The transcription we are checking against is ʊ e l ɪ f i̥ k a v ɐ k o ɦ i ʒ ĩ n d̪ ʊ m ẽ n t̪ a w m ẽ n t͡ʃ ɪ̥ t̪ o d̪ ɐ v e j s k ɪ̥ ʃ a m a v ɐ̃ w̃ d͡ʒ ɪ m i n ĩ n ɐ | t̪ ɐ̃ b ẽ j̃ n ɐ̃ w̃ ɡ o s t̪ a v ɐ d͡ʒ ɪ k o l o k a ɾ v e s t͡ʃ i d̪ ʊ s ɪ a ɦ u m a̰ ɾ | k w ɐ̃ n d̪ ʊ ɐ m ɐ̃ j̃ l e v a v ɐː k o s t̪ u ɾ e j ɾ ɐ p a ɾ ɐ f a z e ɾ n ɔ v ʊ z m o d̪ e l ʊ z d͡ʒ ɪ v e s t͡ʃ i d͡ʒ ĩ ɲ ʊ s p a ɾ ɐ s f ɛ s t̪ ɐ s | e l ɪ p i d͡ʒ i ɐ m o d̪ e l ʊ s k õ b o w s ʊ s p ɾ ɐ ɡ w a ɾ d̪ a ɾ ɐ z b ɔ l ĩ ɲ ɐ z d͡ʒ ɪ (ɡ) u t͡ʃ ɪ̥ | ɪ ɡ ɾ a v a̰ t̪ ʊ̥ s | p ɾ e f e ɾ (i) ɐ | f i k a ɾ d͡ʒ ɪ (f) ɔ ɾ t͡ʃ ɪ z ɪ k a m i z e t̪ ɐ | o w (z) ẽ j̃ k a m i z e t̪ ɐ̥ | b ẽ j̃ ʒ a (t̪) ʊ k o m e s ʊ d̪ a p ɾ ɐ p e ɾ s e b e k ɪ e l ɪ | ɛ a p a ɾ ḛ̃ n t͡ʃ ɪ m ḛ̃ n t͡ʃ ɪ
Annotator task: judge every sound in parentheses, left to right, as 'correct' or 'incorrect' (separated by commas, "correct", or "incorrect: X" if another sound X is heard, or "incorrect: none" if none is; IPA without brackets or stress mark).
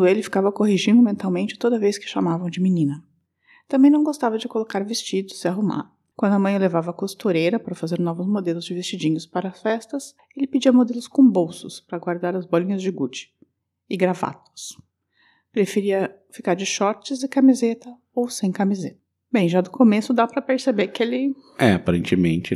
correct, correct, incorrect: ʃ, incorrect: s, incorrect: d̪